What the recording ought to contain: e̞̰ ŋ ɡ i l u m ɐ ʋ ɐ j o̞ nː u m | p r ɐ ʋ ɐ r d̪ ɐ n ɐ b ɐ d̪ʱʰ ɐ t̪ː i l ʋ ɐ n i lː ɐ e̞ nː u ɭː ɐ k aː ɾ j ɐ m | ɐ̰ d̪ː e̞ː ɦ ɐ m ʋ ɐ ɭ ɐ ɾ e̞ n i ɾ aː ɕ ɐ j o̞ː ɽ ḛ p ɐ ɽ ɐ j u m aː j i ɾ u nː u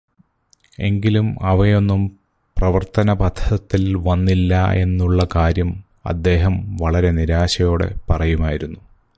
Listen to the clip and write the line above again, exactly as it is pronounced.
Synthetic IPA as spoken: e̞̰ ŋ ɡ i l u m ɐ ʋ ɐ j o̞ nː u m | p r ɐ ʋ ɐ r t̪ ɐ n ɐ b ɐ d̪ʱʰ ɐ t̪ː i l ʋ ɐ nː i lː ɐ e̞ nː u ɭː ɐ k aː ɾ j ɐ m | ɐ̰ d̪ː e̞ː ɦ ɐ m ʋ ɐ ɭ ɐ ɾ e̞ n i ɾ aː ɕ ɐ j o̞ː ɽ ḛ p ɐ r ɐ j u m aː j i ɾ u nː u